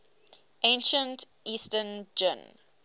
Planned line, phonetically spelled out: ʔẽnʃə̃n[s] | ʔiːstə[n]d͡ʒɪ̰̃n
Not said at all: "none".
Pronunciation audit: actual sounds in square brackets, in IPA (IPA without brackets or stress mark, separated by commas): t, n